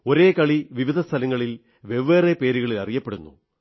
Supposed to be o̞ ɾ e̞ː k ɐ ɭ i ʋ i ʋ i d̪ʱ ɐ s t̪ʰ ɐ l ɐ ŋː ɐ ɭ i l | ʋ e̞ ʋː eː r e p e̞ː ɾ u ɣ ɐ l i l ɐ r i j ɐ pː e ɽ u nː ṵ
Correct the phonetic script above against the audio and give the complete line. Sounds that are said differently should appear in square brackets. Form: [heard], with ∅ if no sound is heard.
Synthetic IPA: o̞ ɾ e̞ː k ɐ ɭ i ʋ i ʋ i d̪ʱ ɐ s t̪ʰ ɐ l ɐ ŋː ɐ ɭ i l | ʋ e̞ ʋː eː r e p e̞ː ɾ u ɣ ɐ [ɭ] i l ɐ r i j ɐ pː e ɽ u nː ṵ